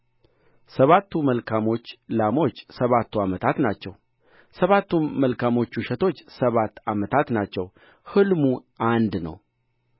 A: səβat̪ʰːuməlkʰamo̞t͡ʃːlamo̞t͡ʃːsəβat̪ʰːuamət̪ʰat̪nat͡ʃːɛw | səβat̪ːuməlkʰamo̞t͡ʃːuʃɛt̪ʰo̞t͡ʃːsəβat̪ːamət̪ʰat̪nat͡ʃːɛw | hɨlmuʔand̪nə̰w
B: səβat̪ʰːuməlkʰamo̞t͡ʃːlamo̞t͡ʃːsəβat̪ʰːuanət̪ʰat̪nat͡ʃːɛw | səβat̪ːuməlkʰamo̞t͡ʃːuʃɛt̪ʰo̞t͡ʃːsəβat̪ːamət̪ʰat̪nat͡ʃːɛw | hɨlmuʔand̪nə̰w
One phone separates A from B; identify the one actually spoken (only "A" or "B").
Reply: A